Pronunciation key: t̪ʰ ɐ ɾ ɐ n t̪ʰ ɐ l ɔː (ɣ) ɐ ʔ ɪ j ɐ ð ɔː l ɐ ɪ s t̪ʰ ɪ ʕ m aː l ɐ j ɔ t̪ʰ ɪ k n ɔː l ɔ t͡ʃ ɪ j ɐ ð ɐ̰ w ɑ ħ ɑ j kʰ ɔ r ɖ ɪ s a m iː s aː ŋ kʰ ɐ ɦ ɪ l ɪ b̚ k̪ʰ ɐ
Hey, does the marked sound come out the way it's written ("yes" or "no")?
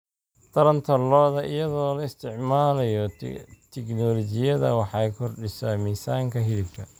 no